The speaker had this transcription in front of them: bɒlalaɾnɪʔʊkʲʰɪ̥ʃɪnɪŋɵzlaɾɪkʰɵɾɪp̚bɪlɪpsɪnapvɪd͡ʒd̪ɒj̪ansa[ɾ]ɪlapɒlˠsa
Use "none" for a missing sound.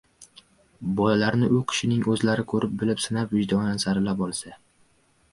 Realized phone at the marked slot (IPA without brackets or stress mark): ɾ